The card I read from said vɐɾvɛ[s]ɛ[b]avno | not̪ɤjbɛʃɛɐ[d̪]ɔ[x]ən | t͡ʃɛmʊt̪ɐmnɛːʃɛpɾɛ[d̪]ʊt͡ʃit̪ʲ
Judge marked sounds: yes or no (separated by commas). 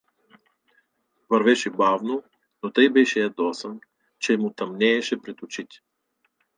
no, yes, yes, no, no